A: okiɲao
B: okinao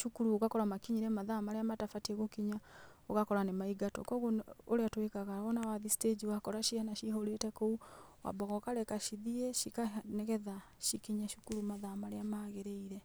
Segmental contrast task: A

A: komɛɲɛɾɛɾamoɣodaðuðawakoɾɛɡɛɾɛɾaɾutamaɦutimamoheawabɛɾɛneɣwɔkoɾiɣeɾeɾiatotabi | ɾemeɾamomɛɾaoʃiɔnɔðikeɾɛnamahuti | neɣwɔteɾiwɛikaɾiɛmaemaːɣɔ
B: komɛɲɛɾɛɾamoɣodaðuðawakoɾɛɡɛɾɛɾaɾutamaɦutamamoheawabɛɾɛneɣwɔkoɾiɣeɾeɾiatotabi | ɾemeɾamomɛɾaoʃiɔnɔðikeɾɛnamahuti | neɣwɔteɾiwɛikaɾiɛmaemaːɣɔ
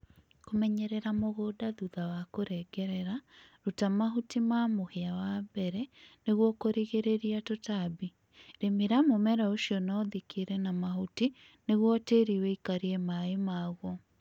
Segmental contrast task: A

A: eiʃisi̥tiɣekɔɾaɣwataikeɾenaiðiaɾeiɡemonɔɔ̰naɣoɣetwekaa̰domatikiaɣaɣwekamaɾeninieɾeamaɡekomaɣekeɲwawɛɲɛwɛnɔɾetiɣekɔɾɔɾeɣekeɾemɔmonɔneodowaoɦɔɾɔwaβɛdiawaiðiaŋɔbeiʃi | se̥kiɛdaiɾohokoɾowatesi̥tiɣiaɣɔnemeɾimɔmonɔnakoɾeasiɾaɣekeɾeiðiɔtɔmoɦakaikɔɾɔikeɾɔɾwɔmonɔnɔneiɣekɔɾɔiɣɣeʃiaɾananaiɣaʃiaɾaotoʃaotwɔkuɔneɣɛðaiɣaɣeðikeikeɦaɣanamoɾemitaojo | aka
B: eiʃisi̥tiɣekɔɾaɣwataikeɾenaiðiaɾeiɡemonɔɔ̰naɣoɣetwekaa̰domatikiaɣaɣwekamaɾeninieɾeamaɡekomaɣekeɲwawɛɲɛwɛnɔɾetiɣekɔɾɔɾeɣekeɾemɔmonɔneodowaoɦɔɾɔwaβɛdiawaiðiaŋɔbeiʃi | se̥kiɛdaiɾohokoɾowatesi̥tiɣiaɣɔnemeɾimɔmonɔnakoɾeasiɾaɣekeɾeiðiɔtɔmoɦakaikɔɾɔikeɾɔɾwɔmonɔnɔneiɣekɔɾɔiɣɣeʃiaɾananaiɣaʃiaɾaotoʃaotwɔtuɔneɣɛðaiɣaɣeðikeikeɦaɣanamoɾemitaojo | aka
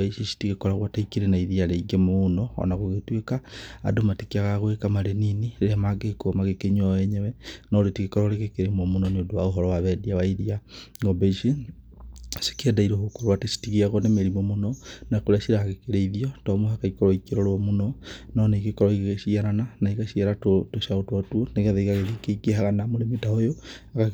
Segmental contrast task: B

